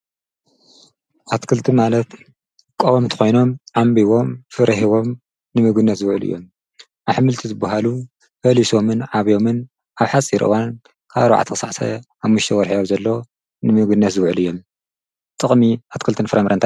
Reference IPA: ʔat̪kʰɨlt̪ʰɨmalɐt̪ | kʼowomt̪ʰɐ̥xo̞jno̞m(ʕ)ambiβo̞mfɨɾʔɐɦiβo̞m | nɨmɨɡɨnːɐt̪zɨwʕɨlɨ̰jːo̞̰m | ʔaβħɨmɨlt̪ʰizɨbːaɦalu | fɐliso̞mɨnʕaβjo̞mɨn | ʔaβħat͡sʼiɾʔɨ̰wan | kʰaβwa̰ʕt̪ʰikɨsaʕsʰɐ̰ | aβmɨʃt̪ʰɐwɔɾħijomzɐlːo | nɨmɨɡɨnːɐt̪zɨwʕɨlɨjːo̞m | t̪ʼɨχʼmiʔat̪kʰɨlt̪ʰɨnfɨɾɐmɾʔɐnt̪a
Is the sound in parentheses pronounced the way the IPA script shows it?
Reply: yes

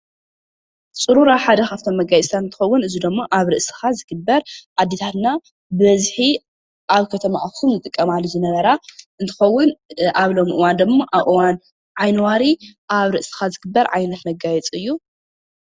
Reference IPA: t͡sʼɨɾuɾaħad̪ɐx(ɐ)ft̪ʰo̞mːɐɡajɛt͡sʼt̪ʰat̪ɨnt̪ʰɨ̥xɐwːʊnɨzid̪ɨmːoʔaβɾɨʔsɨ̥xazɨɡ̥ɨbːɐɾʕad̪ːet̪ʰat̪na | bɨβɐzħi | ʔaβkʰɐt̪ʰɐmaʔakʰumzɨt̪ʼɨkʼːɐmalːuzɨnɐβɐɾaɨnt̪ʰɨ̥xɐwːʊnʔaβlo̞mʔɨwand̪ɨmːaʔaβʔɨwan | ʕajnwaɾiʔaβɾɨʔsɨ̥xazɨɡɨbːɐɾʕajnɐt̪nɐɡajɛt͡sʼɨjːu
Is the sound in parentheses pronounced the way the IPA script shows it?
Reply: no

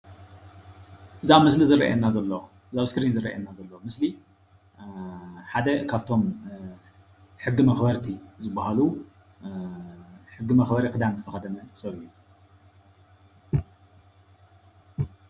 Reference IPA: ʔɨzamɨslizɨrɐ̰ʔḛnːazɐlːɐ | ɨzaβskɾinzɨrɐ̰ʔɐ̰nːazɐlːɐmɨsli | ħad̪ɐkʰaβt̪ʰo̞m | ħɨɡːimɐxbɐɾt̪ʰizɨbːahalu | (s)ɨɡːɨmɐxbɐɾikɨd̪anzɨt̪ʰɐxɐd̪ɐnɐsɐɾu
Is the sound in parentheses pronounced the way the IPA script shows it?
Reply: no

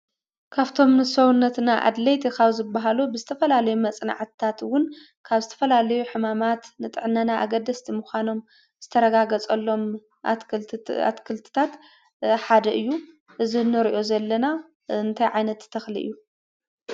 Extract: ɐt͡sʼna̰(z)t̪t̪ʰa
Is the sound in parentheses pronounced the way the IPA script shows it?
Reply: no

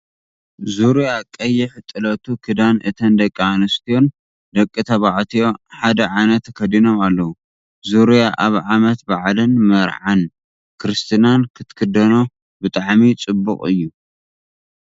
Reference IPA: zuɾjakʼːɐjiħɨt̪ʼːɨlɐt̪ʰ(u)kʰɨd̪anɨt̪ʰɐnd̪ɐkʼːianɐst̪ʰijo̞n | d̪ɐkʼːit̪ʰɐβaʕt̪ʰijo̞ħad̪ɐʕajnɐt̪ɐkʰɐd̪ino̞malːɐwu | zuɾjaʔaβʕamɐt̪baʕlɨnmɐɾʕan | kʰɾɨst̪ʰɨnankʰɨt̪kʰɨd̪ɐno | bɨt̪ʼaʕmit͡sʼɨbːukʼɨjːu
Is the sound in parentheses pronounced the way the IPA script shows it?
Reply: yes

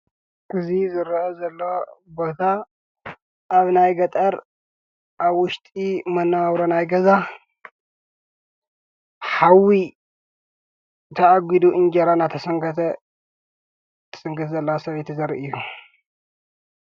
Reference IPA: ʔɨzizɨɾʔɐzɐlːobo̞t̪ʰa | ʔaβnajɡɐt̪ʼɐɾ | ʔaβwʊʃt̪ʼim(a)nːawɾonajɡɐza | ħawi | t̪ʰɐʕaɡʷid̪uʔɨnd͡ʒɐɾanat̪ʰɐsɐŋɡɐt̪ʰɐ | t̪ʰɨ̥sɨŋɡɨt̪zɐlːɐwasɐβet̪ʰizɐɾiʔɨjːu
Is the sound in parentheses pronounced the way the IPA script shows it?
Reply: no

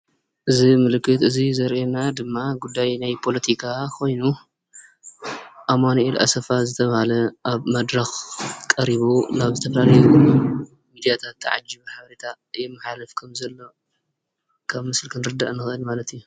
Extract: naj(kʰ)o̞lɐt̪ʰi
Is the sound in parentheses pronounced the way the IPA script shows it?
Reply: no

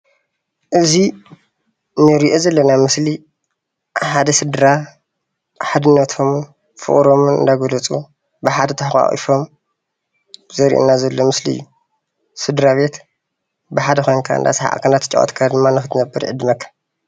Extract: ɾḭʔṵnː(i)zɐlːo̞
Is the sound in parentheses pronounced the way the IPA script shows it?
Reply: no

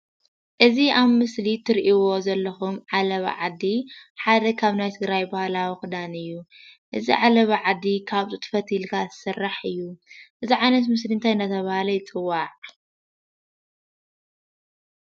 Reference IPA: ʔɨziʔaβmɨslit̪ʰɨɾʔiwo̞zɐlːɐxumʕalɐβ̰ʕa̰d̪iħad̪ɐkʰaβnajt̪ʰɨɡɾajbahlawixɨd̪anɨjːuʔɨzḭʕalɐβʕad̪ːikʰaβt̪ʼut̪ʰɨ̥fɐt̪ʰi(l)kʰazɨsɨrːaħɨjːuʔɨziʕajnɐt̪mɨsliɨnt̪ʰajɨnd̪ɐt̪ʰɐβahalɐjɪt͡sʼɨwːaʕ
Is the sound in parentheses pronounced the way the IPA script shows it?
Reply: yes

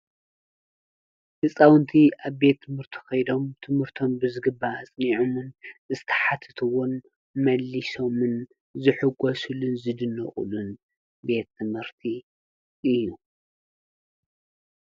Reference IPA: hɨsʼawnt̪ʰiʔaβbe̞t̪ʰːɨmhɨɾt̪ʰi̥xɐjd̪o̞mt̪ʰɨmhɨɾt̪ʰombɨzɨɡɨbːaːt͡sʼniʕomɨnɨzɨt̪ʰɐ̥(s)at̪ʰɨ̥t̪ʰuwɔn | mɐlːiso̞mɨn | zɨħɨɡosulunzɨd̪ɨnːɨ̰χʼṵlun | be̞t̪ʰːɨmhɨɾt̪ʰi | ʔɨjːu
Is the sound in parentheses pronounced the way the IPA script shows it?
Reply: no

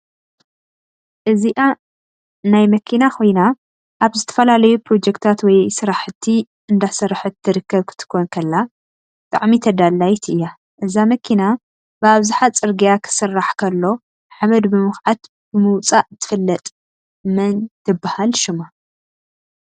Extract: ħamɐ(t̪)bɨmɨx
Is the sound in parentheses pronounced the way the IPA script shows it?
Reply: no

